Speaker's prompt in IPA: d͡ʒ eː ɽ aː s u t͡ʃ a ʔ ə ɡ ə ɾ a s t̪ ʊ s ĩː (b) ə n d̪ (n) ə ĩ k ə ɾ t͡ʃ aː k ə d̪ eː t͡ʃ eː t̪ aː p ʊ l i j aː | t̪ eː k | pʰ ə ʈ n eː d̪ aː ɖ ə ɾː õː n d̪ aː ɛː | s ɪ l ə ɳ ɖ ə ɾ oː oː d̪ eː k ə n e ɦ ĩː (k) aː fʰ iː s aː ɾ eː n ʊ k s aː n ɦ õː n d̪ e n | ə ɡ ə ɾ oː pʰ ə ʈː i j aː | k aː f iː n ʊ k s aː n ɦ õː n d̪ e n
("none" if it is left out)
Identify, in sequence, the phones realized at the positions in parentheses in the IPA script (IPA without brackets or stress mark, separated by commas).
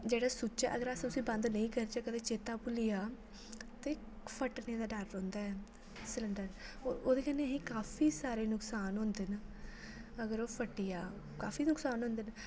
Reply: b, n, k